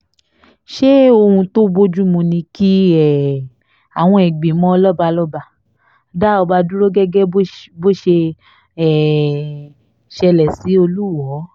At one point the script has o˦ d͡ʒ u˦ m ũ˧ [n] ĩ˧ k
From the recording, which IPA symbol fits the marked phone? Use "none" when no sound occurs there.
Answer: n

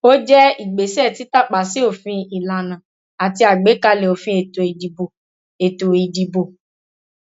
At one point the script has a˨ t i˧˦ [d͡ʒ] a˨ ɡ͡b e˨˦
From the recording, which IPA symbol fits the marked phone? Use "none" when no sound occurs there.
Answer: none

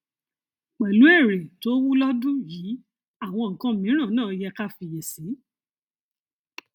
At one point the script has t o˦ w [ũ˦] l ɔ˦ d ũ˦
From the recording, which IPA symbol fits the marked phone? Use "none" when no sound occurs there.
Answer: u˦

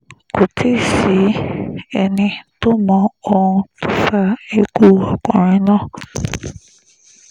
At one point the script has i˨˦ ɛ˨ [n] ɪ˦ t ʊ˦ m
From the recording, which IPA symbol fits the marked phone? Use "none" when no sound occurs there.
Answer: n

